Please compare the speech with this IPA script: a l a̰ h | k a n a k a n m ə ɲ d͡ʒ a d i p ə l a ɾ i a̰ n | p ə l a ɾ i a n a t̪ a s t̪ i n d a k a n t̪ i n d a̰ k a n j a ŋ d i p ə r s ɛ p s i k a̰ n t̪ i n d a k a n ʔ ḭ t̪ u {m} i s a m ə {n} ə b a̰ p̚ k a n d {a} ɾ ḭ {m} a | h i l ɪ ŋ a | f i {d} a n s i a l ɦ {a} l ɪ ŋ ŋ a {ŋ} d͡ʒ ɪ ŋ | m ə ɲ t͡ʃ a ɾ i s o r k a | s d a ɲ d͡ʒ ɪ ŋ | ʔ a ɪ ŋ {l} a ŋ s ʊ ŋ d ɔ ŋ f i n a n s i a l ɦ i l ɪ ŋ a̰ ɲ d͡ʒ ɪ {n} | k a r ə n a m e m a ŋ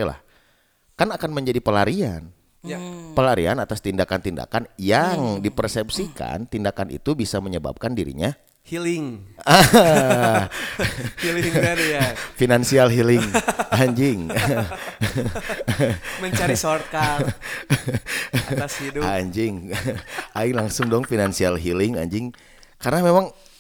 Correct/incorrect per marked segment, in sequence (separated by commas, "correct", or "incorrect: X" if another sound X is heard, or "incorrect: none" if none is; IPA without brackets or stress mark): incorrect: b, incorrect: ɲ, incorrect: i, incorrect: ɲ, incorrect: n, incorrect: i, incorrect: ɲ, correct, incorrect: ŋ